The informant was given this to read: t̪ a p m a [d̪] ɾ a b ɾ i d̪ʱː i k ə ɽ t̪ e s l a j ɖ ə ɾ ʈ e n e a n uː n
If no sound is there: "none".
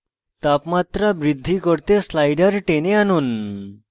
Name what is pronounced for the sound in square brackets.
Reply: t̪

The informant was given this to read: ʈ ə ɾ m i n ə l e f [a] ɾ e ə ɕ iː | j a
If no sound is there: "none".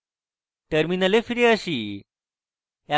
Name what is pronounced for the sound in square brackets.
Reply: i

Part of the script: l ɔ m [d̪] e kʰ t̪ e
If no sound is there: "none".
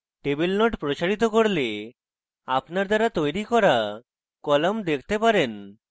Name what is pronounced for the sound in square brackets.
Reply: d̪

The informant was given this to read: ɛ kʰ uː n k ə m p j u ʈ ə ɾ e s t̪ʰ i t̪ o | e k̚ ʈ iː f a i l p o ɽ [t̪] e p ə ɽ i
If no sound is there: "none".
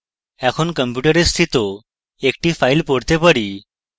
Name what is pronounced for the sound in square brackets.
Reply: t̪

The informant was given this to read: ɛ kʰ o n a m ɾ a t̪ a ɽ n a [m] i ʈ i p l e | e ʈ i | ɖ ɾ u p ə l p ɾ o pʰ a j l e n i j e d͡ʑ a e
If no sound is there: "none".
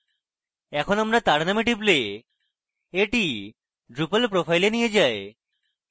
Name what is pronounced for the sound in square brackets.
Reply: m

